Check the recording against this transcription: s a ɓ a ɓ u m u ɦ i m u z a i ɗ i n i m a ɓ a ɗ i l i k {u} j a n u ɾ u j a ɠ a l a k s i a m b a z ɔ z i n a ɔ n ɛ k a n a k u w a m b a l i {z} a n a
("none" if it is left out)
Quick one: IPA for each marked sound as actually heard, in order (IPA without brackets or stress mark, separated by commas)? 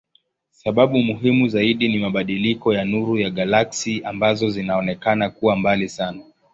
ɔ, s